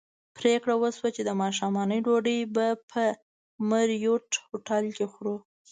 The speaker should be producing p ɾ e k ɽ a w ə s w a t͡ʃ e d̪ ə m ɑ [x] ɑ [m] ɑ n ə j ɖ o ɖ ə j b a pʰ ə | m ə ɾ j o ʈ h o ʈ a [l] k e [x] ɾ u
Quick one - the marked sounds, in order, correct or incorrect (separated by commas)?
incorrect, correct, correct, correct